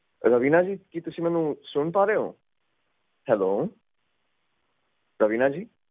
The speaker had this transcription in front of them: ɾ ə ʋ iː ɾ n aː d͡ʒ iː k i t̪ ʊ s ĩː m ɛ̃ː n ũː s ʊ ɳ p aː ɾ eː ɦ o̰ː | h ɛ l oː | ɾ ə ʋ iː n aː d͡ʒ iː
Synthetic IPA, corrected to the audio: ɾ ə ʋ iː n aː d͡ʒ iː k i t̪ ʊ s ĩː m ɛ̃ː n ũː s ʊ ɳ p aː ɾ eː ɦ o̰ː | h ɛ l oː | ɾ ə ʋ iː n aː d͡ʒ iː